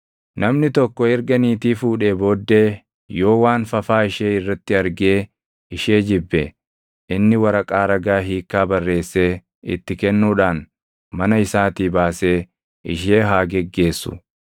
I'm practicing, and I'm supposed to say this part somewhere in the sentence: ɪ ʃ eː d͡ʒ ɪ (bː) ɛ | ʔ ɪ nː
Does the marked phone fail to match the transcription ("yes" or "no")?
no